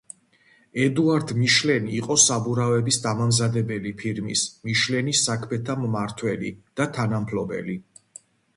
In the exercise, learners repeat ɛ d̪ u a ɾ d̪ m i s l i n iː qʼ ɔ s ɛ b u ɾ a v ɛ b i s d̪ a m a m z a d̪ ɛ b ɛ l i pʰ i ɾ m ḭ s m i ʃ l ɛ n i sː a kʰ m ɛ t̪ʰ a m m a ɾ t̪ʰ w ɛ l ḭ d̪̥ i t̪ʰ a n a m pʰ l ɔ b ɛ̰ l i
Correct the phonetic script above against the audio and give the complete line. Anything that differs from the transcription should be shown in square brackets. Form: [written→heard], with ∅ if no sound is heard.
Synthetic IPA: ɛ d̪ u a ɾ d̪ m i [s→ʃ] l [i→ɛ] n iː qʼ ɔ s [ɛ→a] b u ɾ a v ɛ b i s d̪ a m a m z a d̪ ɛ b ɛ l i pʰ i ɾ m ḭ s m i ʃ l ɛ n i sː a kʰ m ɛ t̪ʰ a m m a ɾ t̪ʰ w ɛ l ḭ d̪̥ [i→a] t̪ʰ a n a m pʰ l ɔ b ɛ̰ l i

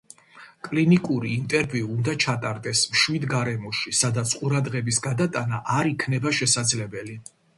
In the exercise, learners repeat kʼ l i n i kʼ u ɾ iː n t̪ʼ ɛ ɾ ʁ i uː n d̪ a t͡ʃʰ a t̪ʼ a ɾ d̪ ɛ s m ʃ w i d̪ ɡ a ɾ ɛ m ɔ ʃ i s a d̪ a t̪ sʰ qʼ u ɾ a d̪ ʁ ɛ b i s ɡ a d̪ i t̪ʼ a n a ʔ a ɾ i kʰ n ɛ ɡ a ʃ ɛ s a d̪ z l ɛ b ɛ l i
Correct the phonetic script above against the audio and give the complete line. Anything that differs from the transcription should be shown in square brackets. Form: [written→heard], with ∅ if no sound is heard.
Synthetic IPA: kʼ l i n i kʼ u ɾ iː n t̪ʼ ɛ ɾ [ʁ→v] i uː n d̪ a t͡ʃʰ a t̪ʼ a ɾ d̪ ɛ s m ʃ w i d̪ ɡ a ɾ ɛ m ɔ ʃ i s a d̪ a t̪ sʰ qʼ u ɾ a d̪ ʁ ɛ b i s ɡ a d̪ [i→a] t̪ʼ a n a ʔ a ɾ i kʰ n ɛ [ɡ→b] a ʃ ɛ s a d̪ z l ɛ b ɛ l i

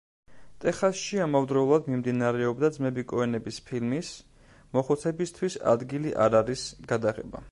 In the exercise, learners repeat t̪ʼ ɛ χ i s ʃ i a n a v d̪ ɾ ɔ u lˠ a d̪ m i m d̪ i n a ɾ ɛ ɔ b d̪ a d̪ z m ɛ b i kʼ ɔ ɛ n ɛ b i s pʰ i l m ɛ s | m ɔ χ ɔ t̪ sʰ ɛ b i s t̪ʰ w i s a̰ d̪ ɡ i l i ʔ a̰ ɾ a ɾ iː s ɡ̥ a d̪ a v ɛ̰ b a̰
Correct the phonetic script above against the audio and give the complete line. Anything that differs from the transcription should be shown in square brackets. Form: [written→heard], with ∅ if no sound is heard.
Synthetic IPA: t̪ʼ ɛ χ [i→a] s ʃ i a [n→m] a v d̪ ɾ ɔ u lˠ a d̪ m i m d̪ i n a ɾ ɛ ɔ b d̪ a d̪ z m ɛ b i kʼ ɔ ɛ n ɛ b i s pʰ i l m [ɛ→i] s | m ɔ χ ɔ t̪ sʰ ɛ b i s t̪ʰ w i s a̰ d̪ ɡ i l i ʔ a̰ ɾ a ɾ [iː→i] s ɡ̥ a d̪ a [v→ʁ] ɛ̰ b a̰

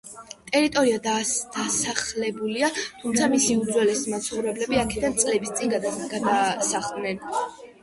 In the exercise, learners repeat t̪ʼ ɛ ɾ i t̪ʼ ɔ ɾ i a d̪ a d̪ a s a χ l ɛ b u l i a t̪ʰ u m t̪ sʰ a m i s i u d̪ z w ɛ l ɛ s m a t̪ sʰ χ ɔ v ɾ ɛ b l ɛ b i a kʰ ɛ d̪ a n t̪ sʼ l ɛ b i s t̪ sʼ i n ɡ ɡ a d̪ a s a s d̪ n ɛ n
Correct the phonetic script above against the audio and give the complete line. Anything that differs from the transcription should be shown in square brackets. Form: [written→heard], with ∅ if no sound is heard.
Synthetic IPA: t̪ʼ ɛ ɾ i t̪ʼ ɔ ɾ i a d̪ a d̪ a s a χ l ɛ b u l i a t̪ʰ u m t̪ sʰ a m i s i u d̪ z w ɛ l ɛ s m a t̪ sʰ χ ɔ v ɾ ɛ b l ɛ b i a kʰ ɛ d̪ a n t̪ sʼ l ɛ b i s t̪ sʼ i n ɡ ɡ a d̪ a s a [s→χ] d̪ n ɛ n

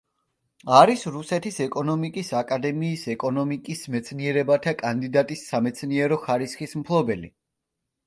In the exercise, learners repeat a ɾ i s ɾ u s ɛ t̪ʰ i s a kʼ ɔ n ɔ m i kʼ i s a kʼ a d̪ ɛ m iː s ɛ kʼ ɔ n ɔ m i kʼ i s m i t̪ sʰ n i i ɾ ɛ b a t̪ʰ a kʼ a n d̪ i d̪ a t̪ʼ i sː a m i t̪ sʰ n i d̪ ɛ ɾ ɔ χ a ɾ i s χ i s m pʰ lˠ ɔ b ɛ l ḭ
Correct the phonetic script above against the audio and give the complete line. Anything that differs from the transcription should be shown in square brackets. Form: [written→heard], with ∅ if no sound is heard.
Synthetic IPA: a ɾ i s ɾ u s ɛ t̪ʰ i s [a→ɛ] kʼ ɔ n ɔ m i kʼ i s a kʼ a d̪ ɛ m iː s ɛ kʼ ɔ n ɔ m i kʼ i s m [i→ɛ] t̪ sʰ n i [i→ɛ] ɾ ɛ b a t̪ʰ a kʼ a n d̪ i d̪ a t̪ʼ i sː a m [i→ɛ] t̪ sʰ n i [d̪→∅] ɛ ɾ ɔ χ a ɾ i s χ i s m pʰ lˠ ɔ b ɛ l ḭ

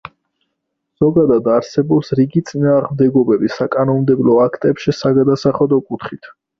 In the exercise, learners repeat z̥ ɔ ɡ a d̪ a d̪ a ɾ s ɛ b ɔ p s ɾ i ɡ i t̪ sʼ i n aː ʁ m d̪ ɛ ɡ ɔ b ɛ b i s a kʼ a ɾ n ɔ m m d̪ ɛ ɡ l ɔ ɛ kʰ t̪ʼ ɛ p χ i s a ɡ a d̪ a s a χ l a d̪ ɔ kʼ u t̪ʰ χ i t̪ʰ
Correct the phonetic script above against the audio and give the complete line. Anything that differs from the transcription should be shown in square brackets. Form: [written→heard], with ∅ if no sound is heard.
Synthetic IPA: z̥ ɔ ɡ a d̪ a d̪ a ɾ s ɛ b ɔ p s ɾ i ɡ i t̪ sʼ i n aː ʁ m d̪ ɛ ɡ ɔ b ɛ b i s a kʼ a [ɾ→∅] n ɔ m m d̪ ɛ [ɡ→b] l ɔ [ɛ→a] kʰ t̪ʼ ɛ p [χ→ʃ] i s a ɡ a d̪ a s a χ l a d̪ ɔ kʼ u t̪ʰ χ i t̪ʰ

